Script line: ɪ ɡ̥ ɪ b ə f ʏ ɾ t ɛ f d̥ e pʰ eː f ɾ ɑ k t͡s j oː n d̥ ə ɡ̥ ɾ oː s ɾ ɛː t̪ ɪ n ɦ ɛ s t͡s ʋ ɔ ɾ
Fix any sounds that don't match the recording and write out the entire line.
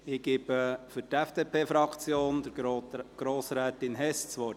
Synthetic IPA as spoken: ɪ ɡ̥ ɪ b ə f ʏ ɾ t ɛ f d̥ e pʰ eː f ɾ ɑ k t͡s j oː n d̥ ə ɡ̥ ɾ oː s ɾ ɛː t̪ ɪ n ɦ ɛ s t͡s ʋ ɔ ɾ